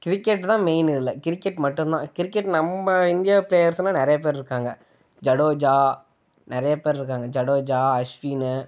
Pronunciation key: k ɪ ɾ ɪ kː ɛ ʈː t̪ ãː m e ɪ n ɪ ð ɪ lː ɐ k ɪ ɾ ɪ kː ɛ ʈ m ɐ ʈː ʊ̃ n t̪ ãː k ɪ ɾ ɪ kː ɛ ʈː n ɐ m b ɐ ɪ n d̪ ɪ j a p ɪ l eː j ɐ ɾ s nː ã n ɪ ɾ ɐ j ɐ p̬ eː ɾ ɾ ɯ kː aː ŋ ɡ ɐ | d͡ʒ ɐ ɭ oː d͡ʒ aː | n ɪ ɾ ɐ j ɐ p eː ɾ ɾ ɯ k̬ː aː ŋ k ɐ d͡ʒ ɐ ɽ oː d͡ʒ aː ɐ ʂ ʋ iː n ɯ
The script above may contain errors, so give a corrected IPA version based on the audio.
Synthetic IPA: k ɪ ɾ ɪ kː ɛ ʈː t̪ ãː m e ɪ n ɪ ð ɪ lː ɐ k ɪ ɾ ɪ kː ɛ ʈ m ɐ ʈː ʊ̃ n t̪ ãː k ɪ ɾ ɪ kː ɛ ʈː n ɐ m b ɐ ɪ n d̪ ɪ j a p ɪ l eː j ɐ ɾ s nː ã n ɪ ɾ ɐ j ɐ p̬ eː ɾ ɾ ɯ kː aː ŋ ɡ ɐ | d͡ʒ ɐ ɽ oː d͡ʒ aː | n ɪ ɾ ɐ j ɐ p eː ɾ ɾ ɯ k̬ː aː ŋ ɡ ɐ d͡ʒ ɐ ɽ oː d͡ʒ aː ɐ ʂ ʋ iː n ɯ